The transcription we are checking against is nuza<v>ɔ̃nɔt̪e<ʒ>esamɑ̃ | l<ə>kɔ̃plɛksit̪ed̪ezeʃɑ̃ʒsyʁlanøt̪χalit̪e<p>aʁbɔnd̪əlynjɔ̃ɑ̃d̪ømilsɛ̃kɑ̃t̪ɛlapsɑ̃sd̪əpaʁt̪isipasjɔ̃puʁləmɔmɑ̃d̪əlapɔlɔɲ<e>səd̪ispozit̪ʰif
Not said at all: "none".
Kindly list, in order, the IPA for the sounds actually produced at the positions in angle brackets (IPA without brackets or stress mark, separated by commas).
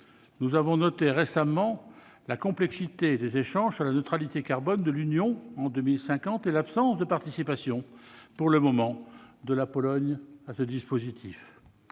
v, ʁ, a, k, a